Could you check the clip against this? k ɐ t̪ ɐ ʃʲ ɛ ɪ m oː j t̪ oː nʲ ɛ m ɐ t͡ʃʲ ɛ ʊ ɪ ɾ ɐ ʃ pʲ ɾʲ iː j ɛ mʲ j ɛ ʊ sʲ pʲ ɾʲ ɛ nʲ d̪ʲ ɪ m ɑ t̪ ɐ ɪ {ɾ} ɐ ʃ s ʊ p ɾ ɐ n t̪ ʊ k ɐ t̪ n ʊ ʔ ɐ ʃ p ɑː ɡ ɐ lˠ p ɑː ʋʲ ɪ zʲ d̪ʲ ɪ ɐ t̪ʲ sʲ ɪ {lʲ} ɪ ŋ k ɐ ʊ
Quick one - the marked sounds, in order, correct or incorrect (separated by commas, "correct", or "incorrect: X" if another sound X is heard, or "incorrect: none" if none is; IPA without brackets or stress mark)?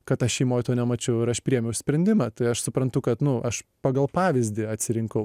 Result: incorrect: none, incorrect: ɾʲ